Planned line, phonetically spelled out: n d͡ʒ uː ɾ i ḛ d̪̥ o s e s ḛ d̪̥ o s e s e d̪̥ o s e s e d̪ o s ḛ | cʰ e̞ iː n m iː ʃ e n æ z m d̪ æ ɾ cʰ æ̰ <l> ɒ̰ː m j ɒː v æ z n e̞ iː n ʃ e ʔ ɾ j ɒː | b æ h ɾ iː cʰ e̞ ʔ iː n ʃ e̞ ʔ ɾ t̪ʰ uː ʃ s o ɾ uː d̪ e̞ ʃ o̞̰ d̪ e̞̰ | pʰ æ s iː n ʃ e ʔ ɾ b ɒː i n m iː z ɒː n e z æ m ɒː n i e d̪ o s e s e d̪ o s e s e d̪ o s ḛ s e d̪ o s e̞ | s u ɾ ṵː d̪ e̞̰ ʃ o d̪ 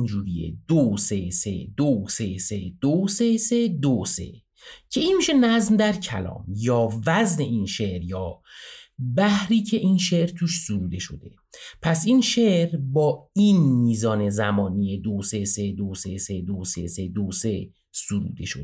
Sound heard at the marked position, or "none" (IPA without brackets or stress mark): l